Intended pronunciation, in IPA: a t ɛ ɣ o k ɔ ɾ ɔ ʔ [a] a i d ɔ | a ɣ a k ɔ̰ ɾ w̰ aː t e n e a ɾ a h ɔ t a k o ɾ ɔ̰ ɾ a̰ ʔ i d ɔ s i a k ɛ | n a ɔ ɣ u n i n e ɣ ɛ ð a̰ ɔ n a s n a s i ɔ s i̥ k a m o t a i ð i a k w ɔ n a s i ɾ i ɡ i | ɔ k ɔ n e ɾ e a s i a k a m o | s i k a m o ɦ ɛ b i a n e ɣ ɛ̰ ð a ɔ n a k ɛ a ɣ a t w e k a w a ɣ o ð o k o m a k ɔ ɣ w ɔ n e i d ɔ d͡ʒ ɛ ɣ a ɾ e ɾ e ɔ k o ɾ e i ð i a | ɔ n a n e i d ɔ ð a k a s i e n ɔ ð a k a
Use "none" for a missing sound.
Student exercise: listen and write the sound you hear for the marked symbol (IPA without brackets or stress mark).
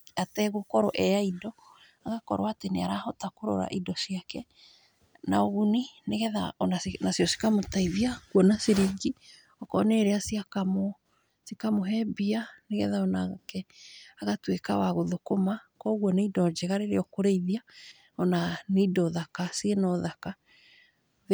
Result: ɛ